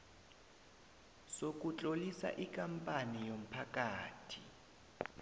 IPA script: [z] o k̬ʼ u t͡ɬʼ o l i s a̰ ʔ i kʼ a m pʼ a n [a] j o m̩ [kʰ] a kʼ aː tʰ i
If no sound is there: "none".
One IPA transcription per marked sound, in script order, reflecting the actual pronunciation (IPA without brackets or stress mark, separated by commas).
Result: s, i, pʰ